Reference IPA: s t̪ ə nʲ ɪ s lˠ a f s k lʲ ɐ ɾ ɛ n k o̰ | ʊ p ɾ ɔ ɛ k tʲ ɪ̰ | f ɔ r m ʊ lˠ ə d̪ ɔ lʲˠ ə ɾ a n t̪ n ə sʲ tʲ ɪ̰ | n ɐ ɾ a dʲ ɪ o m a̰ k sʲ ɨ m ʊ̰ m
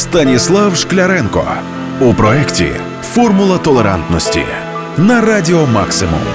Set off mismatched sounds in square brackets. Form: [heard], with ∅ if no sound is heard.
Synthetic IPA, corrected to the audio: s t̪ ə nʲ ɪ s lˠ a f [ʂ] k lʲ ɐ ɾ ɛ n k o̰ | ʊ p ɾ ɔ ɛ k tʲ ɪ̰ | f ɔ r m ʊ lˠ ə [t̪] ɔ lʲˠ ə ɾ a n t̪ n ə sʲ tʲ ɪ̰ | n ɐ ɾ a dʲ ɪ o m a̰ k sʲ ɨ m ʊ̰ m